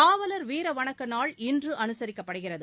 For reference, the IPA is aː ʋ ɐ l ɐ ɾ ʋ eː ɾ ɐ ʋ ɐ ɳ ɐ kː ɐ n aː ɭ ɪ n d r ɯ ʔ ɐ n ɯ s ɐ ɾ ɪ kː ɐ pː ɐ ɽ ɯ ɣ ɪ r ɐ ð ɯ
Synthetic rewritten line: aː ʋ ɐ l ɐ ɾ ʋ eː ɾ ɐ ʋ ɐ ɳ ɐ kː ɐ n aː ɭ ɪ n d r ɯ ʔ ɐ n ɯ s ɐ ɾ ɪ kː ɐ pː ɐ ɽ ɯ ɣ ɪ r ɐ ð ɯ